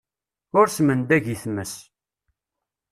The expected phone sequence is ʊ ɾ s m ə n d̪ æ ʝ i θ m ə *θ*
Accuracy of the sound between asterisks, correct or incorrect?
incorrect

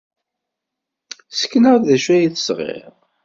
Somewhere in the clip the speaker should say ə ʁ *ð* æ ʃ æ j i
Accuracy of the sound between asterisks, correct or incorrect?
correct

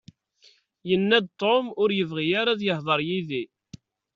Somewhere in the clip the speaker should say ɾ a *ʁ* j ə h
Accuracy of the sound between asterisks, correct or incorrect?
incorrect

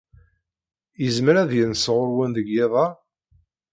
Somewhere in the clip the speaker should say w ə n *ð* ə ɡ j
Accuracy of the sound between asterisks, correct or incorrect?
correct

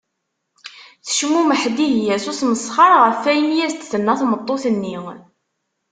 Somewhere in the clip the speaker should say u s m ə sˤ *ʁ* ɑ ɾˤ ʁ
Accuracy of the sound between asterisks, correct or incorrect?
incorrect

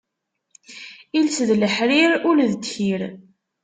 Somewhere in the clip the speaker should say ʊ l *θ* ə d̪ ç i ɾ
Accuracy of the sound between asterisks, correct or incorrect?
incorrect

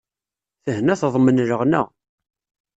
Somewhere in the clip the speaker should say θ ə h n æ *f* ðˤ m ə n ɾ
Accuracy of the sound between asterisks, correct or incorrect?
incorrect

